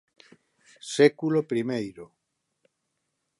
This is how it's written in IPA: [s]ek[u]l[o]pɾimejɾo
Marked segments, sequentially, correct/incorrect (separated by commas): correct, correct, correct